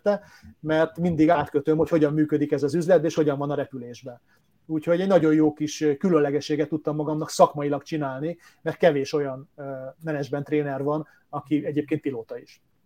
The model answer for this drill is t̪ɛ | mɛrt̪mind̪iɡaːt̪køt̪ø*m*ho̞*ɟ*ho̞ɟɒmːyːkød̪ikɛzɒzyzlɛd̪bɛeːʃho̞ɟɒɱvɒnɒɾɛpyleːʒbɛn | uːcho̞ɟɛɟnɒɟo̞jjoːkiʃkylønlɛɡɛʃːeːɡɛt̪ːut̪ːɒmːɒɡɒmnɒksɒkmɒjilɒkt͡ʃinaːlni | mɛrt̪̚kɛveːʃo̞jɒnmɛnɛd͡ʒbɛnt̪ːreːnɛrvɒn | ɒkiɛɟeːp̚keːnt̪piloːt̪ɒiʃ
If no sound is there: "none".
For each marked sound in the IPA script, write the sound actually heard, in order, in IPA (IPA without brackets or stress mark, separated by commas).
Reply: m, c